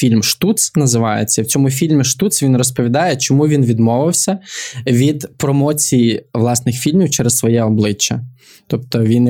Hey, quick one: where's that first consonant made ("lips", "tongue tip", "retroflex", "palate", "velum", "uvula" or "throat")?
lips